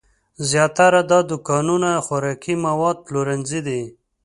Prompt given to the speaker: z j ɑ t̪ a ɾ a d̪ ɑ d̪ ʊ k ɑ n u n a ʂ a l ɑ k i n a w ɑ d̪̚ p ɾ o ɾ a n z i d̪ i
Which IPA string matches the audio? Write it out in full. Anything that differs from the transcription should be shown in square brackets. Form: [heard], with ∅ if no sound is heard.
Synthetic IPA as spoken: z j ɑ t̪ a ɾ a d̪ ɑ d̪ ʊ k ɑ n u n a [x] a [ɾ] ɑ k i [m] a w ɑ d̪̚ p [l] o ɾ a n z i d̪ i